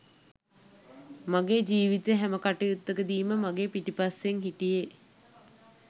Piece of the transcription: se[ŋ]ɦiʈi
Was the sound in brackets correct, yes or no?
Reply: yes